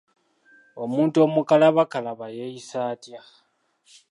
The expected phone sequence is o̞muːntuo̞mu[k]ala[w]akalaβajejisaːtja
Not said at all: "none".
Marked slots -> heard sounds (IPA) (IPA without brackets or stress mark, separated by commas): k, β